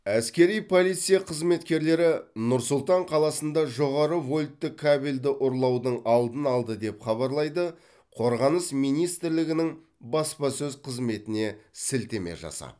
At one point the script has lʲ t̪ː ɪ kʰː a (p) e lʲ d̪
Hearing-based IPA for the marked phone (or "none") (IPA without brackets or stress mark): b